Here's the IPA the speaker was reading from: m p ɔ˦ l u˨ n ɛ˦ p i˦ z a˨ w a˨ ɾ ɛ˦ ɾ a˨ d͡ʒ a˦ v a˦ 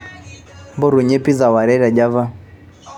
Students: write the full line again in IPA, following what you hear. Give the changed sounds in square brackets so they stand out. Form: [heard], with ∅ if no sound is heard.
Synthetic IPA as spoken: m [b] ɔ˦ [ɾ] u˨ [ɲ] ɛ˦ p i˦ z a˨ w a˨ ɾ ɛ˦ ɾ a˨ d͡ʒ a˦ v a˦